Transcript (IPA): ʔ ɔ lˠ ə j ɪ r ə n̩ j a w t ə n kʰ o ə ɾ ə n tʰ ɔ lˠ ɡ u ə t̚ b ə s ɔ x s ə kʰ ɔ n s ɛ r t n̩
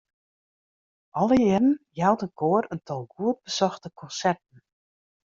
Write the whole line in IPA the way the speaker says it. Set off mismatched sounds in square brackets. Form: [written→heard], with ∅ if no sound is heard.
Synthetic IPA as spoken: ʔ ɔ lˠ ə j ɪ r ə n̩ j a w t ə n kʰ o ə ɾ ə n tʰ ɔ lˠ ɡ u ə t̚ b ə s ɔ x [s→t] ə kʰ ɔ n s ɛ r t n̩